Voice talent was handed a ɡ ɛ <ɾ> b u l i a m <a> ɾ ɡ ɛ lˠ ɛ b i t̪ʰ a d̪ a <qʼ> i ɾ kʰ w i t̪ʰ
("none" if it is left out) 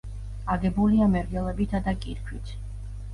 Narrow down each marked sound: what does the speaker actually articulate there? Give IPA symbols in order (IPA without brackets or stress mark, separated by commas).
none, ɛ, kʼ